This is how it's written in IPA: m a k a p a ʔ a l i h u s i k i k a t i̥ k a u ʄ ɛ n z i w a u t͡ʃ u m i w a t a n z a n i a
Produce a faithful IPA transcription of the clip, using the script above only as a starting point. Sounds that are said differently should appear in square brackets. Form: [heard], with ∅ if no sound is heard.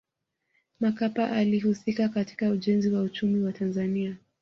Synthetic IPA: m a k a p a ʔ a l i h u s i k [a] k a t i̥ k a u ʄ ɛ n z i w a u t͡ʃ u m i w a t a n z a n i a